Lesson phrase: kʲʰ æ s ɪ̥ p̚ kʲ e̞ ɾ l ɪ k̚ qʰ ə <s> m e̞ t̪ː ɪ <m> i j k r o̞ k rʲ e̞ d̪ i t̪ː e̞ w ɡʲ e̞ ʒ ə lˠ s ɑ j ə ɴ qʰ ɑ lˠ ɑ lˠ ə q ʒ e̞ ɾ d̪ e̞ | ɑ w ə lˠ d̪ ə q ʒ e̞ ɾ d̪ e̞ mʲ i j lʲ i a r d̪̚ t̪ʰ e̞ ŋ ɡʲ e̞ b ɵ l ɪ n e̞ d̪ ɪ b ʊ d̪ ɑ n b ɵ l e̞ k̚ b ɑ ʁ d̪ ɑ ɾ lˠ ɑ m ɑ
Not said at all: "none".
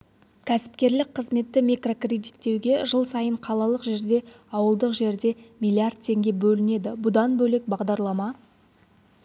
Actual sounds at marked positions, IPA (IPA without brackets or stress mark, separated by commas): z, m